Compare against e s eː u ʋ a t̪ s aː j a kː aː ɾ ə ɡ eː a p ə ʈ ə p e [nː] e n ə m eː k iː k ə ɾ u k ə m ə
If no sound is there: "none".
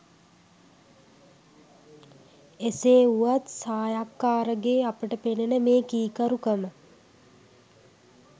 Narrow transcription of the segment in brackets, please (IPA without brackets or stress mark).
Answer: n